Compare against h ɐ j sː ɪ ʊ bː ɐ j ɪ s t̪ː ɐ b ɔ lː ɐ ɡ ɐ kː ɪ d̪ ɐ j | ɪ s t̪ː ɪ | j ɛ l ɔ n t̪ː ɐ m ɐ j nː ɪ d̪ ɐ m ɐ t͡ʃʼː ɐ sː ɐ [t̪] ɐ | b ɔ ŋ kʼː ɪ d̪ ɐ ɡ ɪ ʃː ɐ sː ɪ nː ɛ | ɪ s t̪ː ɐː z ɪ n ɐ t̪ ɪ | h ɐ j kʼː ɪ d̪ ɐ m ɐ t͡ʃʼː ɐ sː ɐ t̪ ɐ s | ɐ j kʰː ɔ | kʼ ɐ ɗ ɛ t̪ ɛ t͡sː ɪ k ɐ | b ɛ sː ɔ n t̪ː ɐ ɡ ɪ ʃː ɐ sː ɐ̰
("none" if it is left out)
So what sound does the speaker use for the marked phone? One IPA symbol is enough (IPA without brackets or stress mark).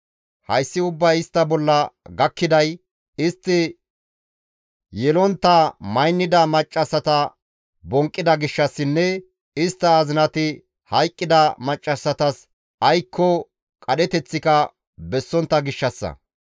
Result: t̪